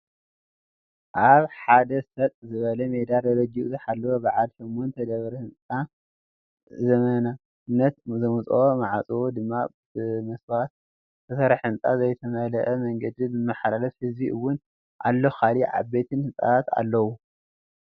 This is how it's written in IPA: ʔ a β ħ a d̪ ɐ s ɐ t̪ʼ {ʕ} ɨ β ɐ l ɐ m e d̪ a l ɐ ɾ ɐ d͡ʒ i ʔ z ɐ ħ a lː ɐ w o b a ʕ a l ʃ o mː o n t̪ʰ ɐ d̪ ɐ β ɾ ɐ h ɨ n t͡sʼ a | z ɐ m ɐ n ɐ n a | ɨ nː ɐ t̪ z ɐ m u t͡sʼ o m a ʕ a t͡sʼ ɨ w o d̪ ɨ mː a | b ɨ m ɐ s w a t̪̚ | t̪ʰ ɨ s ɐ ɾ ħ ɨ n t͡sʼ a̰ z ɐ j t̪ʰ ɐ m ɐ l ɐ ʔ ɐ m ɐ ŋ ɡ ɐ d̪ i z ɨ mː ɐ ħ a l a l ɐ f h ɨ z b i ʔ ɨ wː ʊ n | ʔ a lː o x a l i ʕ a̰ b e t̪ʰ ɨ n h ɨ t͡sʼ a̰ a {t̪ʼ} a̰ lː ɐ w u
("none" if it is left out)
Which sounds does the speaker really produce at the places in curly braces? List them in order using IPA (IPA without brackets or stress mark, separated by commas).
z, t̪